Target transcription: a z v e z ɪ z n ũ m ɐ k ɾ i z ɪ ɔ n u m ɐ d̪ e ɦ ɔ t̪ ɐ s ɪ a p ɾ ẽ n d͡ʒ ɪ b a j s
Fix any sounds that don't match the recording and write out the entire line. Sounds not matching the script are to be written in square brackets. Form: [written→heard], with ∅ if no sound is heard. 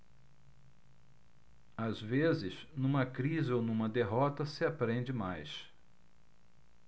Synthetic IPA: a z v e z ɪ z n ũ m ɐ k ɾ i z ɪ [ɔ→o] n [u→ũ] m ɐ d̪ e ɦ ɔ t̪ ɐ s ɪ a p ɾ ẽ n d͡ʒ ɪ [b→m] a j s